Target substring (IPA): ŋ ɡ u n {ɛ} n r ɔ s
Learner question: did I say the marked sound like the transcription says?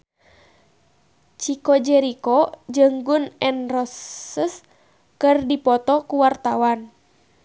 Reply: yes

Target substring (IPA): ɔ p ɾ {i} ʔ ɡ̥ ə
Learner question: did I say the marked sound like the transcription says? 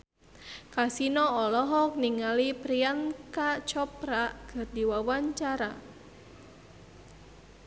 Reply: no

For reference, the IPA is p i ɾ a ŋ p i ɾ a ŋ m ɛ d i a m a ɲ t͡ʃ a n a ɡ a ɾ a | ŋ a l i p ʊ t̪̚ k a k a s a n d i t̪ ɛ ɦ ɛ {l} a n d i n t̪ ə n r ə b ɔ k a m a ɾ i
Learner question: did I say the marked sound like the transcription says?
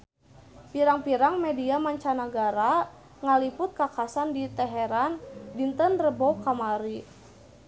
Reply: no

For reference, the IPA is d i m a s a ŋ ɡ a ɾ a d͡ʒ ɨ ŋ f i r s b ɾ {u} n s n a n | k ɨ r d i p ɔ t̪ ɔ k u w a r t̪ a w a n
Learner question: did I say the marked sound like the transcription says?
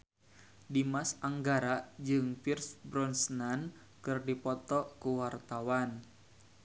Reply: no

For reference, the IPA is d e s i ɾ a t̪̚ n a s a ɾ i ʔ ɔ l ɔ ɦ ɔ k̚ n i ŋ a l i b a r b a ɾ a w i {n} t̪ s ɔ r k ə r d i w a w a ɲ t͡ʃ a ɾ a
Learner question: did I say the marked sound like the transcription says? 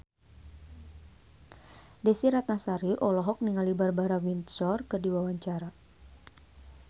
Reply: yes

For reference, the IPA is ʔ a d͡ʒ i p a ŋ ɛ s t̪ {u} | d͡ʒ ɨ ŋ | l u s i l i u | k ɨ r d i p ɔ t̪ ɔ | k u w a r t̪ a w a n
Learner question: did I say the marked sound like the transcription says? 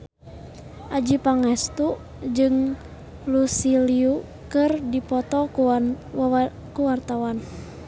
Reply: yes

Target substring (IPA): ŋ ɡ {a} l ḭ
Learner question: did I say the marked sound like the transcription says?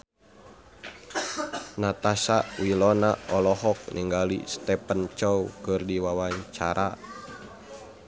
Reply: yes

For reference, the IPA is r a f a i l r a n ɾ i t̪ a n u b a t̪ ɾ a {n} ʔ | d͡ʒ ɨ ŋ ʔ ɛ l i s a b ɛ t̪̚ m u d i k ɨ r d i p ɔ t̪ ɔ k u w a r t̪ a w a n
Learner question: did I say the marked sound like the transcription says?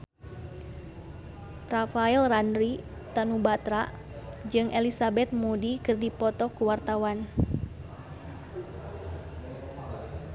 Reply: no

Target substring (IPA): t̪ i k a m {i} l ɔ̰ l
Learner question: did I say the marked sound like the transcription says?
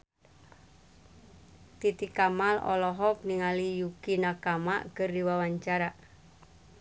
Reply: no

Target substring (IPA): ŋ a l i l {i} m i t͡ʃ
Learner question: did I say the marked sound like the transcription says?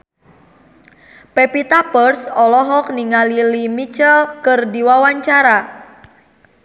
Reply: yes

